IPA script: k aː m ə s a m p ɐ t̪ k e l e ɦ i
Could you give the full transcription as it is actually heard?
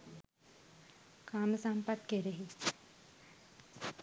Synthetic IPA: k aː m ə s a m p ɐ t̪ k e ɾ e ɦ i